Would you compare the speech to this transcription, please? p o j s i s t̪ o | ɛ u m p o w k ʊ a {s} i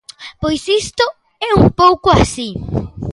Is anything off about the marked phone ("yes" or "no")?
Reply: no